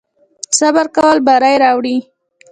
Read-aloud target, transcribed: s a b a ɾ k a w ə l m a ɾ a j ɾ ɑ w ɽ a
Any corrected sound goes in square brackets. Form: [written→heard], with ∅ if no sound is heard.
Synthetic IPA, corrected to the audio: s a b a ɾ k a w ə l [m→b] a ɾ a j ɾ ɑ w ɽ [a→i]